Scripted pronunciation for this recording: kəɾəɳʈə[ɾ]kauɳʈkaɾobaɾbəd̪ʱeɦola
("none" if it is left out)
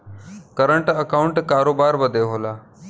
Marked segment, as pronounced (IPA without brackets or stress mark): none